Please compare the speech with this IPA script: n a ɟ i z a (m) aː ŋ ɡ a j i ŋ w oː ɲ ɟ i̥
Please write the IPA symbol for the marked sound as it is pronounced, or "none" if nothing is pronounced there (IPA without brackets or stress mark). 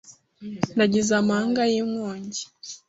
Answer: m